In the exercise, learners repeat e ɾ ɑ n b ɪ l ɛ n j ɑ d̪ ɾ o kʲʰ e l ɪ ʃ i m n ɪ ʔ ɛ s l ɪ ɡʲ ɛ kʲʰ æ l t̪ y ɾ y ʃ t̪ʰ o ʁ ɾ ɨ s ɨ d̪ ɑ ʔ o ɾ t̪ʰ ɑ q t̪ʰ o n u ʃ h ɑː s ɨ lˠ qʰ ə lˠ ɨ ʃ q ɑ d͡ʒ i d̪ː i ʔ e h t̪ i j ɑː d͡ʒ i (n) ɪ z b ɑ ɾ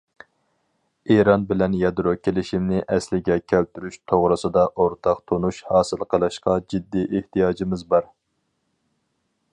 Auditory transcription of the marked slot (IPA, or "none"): m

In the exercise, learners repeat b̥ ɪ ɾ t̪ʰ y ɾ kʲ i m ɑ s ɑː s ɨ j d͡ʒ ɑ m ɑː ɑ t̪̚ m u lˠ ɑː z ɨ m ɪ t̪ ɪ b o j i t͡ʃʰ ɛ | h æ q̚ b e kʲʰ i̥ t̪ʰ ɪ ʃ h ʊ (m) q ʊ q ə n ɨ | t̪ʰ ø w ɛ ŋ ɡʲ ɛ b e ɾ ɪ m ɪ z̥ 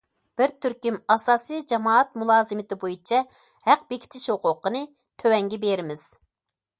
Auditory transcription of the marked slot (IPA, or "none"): none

